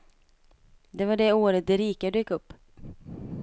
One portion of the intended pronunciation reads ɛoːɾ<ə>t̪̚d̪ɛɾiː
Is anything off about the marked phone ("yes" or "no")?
no